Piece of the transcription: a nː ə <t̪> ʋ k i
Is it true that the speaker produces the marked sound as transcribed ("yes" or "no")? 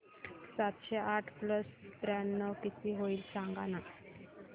no